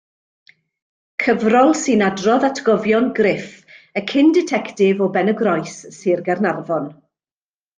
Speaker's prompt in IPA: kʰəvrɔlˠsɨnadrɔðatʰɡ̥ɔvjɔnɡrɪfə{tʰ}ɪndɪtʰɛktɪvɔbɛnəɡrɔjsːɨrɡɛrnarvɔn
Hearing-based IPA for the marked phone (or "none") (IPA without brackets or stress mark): kʰ